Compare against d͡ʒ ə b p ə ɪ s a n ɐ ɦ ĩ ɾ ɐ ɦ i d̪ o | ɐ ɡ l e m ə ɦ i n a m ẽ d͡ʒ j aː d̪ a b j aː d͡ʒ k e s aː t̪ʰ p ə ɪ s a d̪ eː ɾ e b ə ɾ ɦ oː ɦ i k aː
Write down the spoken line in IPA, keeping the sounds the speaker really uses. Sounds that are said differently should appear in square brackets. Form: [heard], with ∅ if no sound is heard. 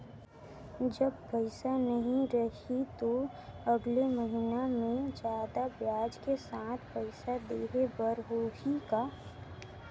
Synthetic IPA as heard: d͡ʒ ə b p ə ɪ s a n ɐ ɦ ĩ ɾ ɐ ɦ i [t̪] o | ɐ ɡ l e m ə ɦ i n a m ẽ d͡ʒ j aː d̪ a b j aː d͡ʒ k e s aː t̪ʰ p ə ɪ s a d̪ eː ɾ e b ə ɾ ɦ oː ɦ i k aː